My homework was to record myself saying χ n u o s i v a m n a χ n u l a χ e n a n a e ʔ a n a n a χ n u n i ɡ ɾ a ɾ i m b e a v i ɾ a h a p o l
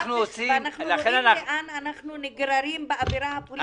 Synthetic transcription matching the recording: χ n u o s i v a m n a χ n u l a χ e n a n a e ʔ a n a n a χ n u n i ɡ ɾ a ɾ i m b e a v i ɾ a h a p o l